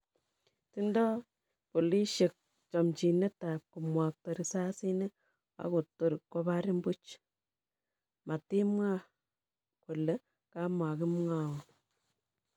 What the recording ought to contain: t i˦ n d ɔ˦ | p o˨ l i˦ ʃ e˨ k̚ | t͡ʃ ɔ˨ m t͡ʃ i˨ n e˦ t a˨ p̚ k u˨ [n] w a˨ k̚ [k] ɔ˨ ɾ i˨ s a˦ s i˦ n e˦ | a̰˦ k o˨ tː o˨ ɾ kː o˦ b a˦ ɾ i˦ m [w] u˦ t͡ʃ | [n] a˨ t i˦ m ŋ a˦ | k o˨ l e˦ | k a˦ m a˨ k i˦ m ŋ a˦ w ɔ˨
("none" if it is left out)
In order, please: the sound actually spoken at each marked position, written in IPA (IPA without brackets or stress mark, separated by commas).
m, t, b, m